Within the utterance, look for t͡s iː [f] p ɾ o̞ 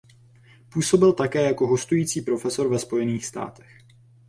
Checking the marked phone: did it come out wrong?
yes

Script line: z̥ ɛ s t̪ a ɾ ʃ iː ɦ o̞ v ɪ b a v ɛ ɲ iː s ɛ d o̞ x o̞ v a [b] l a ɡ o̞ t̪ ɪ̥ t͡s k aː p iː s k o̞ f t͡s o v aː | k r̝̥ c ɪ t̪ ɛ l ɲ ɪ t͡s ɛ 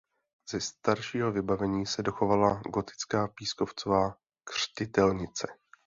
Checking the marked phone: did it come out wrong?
yes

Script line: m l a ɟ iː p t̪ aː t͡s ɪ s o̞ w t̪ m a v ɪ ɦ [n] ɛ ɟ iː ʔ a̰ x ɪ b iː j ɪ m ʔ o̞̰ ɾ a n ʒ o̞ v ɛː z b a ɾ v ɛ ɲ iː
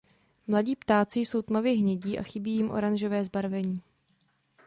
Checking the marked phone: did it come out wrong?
yes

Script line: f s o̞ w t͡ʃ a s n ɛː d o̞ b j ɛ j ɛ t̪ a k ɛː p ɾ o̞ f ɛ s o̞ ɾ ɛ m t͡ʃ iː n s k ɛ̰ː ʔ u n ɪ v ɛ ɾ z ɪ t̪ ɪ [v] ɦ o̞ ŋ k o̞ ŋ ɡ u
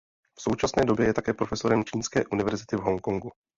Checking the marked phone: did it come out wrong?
no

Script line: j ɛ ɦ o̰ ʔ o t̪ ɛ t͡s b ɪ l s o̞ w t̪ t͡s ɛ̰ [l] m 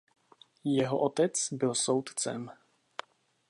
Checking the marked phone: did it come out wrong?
yes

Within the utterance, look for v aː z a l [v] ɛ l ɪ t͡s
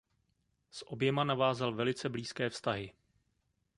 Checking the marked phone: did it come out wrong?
no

